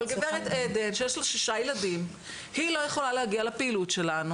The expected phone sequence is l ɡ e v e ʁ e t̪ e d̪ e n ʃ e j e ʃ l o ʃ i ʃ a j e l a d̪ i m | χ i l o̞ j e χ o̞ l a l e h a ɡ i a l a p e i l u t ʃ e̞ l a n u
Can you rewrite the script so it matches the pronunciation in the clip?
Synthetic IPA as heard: l ɡ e v e ʁ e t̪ e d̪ e n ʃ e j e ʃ l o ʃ i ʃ a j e l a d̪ i m | h i l o̞ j e χ o̞ l a l e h a ɡ i a l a p e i l u t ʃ e̞ l a n u